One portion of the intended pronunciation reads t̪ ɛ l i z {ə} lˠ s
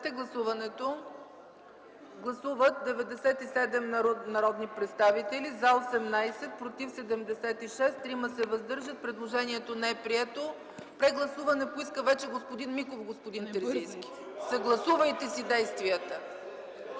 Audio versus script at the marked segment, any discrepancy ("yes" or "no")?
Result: yes